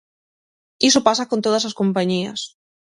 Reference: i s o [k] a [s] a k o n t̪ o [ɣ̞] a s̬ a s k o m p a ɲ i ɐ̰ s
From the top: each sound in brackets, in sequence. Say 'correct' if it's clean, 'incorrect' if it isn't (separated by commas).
incorrect, correct, incorrect